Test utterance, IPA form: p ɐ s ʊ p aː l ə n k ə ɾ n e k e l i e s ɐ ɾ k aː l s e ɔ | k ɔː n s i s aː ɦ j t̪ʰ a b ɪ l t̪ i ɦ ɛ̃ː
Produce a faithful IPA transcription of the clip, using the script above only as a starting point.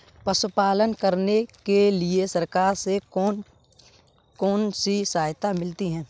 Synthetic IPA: p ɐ s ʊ p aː l ə n k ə ɾ n e k e l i e s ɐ ɾ k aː ɾ s e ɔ | k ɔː n s i s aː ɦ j t̪ a m ɪ l t̪ i ɦ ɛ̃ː